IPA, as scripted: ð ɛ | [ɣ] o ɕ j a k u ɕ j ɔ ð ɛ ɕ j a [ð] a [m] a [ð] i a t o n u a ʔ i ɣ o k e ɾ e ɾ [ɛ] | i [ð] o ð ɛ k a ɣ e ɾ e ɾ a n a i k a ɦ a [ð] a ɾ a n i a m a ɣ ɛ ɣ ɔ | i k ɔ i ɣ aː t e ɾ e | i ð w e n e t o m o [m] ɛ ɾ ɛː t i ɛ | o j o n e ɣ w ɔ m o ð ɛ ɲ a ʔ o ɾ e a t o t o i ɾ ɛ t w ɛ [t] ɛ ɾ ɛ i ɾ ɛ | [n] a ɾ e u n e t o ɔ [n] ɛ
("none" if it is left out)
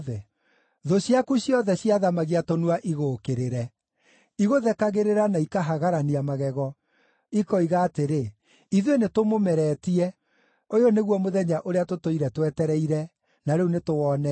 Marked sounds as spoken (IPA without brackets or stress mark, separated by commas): ð, ð, m, ɣ, ɛ, ɣ, ɣ, m, t, n, n